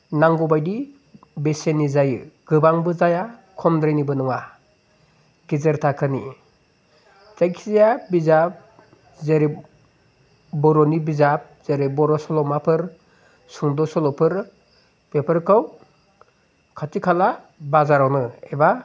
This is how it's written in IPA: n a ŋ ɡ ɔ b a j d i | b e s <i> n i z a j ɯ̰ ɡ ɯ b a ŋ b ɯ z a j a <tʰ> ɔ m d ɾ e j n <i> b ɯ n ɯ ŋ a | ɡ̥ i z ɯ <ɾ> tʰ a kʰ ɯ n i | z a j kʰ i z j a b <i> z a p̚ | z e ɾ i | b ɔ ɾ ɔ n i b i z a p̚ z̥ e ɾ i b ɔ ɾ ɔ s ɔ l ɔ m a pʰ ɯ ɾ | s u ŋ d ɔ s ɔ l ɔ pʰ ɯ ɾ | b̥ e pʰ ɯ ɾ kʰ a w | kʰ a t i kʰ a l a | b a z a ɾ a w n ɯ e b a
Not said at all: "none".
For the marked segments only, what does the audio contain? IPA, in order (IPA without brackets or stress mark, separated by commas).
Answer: e, kʰ, i, ɾ, i